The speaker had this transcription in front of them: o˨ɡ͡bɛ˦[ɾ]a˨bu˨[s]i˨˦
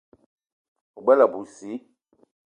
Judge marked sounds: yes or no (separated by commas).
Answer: no, yes